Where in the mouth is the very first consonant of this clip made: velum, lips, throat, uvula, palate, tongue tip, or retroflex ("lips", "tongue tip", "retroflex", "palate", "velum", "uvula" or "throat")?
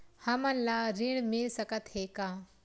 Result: throat